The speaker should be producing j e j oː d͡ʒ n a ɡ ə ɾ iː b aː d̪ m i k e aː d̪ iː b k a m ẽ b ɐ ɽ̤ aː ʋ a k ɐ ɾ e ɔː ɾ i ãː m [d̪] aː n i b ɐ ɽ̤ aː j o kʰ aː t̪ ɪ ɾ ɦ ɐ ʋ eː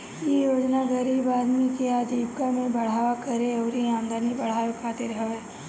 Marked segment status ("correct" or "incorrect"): correct